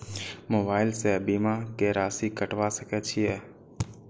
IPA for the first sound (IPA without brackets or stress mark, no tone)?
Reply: m